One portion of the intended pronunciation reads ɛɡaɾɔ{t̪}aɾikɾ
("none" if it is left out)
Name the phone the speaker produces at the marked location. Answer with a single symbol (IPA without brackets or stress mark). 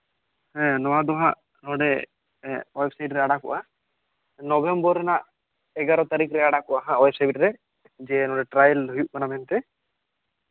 t̪